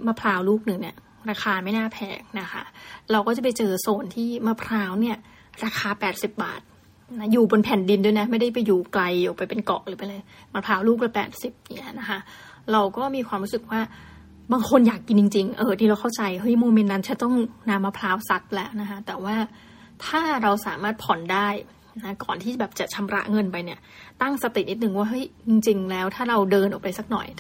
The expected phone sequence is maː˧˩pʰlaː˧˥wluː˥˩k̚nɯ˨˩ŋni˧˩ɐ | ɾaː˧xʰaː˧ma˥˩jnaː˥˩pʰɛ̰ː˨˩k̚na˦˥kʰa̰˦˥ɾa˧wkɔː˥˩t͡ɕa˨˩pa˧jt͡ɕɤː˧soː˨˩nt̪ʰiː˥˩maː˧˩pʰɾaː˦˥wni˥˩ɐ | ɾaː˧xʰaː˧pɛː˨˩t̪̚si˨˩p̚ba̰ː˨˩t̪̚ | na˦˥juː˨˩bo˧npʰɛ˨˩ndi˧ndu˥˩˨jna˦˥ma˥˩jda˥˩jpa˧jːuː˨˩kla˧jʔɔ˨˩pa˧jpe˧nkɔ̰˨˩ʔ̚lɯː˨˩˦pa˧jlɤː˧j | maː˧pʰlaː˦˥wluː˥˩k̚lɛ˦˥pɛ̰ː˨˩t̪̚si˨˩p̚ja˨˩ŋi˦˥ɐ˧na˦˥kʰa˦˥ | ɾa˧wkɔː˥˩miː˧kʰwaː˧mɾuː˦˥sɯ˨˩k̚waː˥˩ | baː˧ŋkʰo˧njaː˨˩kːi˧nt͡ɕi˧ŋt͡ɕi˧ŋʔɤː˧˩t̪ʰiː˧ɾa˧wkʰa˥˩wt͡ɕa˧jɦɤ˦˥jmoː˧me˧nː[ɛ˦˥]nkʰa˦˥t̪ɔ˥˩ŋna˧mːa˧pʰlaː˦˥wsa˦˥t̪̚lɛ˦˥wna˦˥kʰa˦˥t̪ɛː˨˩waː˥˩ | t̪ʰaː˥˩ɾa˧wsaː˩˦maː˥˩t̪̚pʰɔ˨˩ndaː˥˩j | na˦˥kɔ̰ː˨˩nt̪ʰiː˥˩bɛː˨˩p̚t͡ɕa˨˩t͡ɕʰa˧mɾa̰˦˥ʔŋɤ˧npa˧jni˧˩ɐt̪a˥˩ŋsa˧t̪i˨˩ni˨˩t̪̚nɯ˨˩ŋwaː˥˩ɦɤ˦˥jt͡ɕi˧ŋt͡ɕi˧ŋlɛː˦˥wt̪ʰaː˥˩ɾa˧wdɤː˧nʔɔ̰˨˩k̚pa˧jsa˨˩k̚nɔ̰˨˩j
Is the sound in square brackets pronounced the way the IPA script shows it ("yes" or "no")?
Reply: no